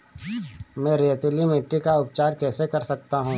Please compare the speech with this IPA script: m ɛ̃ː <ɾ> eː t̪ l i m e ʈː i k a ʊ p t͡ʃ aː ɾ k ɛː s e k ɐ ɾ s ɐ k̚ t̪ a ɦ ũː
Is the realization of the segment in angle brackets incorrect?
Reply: no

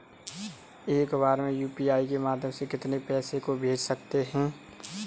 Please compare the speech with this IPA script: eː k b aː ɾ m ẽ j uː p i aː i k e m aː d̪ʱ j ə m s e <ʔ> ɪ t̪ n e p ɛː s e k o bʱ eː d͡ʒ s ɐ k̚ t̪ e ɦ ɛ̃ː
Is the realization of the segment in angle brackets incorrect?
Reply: yes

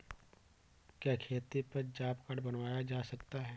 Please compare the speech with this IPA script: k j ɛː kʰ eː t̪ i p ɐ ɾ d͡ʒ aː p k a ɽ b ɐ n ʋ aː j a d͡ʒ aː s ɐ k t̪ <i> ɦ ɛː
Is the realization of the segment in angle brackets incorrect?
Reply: yes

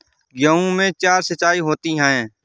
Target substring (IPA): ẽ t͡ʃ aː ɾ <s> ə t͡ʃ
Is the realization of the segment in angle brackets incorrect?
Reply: no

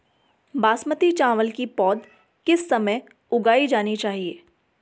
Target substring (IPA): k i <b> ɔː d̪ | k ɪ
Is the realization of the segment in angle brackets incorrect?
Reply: yes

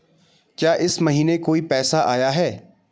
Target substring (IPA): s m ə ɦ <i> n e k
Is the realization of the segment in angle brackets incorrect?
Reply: yes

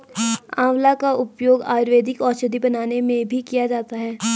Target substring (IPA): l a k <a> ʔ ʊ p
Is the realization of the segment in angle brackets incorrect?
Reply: no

